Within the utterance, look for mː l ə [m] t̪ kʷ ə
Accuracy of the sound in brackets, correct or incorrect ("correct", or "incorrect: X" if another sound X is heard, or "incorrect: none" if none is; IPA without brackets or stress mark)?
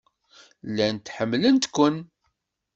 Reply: incorrect: n